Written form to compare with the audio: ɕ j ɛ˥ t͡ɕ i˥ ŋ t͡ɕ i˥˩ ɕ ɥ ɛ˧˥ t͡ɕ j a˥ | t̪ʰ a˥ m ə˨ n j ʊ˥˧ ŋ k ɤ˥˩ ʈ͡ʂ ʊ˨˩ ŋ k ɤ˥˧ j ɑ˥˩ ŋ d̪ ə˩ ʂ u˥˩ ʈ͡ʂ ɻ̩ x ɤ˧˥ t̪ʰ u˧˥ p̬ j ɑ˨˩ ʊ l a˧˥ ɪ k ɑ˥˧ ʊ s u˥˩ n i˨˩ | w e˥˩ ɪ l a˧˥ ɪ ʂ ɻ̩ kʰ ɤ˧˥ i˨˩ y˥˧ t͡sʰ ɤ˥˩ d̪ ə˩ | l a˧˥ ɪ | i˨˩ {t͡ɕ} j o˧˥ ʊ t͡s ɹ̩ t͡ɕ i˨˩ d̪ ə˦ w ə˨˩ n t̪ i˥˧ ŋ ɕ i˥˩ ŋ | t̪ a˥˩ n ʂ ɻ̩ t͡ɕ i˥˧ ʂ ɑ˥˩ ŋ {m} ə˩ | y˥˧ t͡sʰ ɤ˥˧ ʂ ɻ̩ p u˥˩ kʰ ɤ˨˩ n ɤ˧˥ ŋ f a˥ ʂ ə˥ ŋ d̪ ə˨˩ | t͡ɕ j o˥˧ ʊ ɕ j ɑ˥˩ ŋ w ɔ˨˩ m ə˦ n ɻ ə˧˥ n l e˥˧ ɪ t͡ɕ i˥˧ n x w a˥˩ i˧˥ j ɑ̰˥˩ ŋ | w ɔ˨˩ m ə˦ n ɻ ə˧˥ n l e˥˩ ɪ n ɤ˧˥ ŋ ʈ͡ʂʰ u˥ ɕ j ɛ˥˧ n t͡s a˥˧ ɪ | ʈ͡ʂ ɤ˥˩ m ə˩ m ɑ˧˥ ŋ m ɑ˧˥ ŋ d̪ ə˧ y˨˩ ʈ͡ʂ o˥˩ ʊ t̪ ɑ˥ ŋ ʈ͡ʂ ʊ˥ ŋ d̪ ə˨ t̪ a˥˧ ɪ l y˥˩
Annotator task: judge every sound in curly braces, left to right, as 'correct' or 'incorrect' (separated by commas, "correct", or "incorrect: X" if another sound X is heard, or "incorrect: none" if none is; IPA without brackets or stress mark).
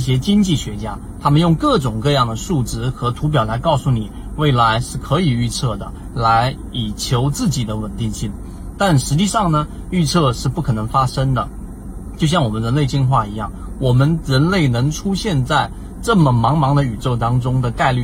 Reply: incorrect: t͡ɕʰ, incorrect: n